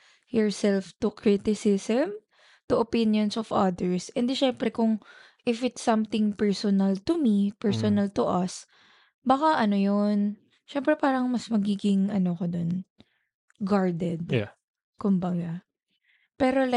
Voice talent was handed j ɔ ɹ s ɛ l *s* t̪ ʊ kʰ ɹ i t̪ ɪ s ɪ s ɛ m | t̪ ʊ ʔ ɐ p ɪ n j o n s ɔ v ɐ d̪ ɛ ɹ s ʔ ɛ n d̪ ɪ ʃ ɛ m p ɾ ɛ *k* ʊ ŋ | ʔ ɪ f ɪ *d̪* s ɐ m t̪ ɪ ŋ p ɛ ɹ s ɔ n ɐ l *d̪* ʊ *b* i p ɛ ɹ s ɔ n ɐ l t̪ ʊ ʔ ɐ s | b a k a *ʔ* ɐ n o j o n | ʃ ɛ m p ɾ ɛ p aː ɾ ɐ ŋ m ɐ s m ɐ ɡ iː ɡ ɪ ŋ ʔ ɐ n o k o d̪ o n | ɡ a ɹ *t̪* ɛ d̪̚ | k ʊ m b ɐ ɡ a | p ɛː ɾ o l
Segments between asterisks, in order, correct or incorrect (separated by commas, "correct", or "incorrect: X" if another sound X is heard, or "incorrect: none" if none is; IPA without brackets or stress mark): incorrect: f, correct, incorrect: t̪, incorrect: t̪, incorrect: m, correct, incorrect: d̪